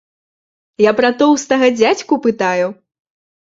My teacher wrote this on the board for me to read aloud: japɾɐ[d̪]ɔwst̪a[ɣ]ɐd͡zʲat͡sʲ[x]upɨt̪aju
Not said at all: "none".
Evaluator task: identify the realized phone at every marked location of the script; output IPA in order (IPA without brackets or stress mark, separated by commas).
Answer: t̪, ɣ, k